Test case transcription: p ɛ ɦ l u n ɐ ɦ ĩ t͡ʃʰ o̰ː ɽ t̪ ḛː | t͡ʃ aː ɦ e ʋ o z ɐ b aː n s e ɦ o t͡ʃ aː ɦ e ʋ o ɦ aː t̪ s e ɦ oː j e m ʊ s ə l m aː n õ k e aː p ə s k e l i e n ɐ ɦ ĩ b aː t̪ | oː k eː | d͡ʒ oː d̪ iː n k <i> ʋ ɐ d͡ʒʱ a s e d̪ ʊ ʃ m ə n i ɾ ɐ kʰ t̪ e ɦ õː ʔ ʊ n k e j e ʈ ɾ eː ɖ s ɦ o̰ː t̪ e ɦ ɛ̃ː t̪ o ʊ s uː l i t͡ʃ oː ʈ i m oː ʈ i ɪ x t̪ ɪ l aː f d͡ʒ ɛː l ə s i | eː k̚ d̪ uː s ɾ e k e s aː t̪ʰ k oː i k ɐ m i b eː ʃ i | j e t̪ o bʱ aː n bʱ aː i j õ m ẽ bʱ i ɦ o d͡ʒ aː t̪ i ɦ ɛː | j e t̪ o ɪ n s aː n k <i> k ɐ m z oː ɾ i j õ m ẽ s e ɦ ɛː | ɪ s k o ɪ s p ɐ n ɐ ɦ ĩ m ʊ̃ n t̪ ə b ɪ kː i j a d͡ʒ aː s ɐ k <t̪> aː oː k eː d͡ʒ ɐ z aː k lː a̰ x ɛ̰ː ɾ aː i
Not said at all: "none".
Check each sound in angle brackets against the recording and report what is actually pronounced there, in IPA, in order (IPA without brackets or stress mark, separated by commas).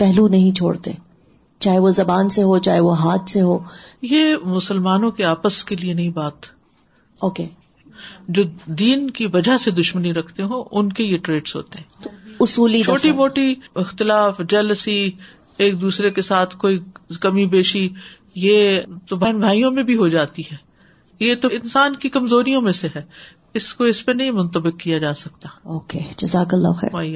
i, i, t̪